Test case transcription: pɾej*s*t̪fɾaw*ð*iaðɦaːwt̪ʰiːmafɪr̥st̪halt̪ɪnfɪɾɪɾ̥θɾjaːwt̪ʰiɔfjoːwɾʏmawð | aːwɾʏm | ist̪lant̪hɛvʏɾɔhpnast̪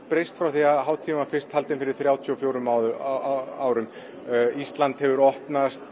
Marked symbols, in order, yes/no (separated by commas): yes, no